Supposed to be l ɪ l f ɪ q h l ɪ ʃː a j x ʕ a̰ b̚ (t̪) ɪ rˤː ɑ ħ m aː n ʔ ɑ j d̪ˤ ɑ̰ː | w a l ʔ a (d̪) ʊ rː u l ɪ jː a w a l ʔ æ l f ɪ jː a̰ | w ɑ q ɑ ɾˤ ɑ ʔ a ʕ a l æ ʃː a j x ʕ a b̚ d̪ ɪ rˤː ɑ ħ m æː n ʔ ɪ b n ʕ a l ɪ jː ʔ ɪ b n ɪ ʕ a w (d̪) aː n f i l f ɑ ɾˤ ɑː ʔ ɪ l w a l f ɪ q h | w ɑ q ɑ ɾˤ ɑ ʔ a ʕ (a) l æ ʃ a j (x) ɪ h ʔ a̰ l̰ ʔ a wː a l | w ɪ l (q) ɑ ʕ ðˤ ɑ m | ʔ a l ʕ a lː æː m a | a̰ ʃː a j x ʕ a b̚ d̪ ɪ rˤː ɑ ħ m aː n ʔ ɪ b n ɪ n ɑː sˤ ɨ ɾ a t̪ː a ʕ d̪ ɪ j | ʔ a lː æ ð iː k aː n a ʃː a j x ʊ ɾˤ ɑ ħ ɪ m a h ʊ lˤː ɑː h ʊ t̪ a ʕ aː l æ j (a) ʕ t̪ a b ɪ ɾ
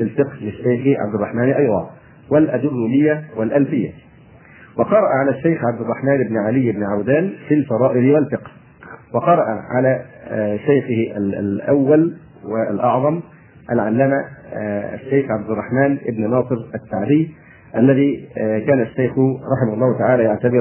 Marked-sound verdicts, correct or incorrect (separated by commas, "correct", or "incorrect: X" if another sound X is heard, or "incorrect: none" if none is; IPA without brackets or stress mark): incorrect: d̪, correct, correct, correct, correct, incorrect: ʔ, correct